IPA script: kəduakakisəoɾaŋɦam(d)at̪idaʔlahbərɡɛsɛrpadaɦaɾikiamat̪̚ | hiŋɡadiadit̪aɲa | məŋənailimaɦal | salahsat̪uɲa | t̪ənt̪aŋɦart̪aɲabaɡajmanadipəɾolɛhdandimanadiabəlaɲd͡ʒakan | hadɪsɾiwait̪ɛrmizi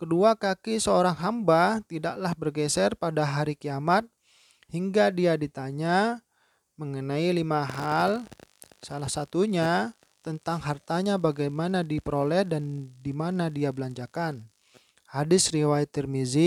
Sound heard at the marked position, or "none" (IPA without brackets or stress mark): b